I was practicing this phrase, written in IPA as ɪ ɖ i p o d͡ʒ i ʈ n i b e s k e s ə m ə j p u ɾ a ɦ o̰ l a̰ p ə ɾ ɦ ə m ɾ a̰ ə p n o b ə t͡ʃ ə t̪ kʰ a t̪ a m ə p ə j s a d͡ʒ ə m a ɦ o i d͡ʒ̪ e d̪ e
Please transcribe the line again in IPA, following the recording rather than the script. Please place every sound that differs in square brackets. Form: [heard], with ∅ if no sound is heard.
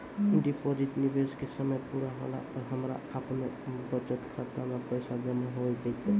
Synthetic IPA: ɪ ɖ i p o d͡ʒ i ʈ n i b e s k e s ə m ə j p u ɾ a ɦ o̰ l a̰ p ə ɾ ɦ ə m ɾ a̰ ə p n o b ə t͡ʃ ə t̪ kʰ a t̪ a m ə p ə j s a d͡ʒ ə m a ɦ o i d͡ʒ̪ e [t̪] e